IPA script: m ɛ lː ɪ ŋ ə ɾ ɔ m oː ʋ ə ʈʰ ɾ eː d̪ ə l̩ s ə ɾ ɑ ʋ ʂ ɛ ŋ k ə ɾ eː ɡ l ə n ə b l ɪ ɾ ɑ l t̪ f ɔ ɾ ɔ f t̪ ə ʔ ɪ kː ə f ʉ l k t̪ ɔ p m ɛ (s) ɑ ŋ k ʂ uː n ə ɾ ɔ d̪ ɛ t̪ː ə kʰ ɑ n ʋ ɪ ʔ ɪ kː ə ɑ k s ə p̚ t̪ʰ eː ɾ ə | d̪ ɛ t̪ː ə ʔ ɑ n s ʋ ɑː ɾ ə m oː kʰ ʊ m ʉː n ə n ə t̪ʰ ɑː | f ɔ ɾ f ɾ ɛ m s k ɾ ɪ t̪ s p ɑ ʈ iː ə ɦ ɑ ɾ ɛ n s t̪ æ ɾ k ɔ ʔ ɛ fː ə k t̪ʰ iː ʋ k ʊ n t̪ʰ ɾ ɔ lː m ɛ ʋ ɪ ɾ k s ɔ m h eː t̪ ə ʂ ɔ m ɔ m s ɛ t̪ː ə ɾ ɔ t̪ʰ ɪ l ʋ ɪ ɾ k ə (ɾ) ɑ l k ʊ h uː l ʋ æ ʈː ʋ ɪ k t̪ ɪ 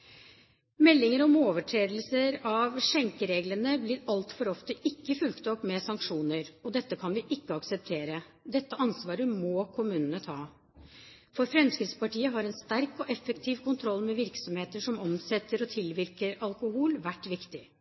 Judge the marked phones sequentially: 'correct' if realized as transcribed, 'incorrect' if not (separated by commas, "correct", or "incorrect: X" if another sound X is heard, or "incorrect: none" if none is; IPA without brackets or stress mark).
correct, correct